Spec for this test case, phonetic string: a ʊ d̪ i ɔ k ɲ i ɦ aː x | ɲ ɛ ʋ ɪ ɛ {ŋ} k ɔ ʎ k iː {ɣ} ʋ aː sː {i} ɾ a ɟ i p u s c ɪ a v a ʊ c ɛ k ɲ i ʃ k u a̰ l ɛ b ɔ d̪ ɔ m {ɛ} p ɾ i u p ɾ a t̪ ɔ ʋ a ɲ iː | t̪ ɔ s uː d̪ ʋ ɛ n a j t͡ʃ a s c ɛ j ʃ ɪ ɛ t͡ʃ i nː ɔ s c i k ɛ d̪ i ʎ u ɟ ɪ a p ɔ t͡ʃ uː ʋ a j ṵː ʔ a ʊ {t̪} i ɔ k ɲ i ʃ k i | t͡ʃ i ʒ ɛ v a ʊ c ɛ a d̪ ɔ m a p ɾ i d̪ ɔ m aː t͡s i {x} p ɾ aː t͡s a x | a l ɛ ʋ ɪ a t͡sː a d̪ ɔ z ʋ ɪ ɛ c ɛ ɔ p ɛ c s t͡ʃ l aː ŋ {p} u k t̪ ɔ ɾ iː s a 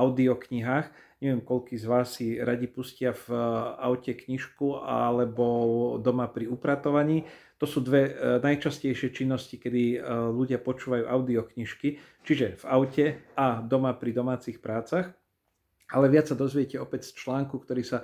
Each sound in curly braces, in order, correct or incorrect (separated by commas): incorrect, incorrect, correct, incorrect, incorrect, correct, incorrect